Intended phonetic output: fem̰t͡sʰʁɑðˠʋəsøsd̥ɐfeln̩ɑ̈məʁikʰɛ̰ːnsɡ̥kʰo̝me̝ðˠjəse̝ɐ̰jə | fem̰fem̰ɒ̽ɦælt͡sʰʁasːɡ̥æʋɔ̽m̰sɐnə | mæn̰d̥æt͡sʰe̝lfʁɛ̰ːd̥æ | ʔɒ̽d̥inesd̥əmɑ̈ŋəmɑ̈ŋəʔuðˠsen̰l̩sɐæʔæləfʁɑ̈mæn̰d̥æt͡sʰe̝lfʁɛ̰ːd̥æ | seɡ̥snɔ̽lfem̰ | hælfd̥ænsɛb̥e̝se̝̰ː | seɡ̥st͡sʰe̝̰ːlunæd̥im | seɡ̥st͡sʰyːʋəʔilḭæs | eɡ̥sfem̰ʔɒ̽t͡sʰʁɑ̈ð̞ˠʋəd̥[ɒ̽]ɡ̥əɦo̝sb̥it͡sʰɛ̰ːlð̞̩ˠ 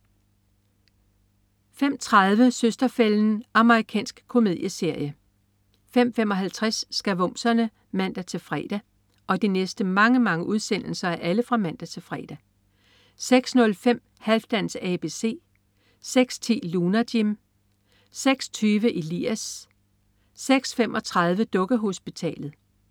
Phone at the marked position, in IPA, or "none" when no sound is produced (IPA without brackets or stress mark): ɔ̽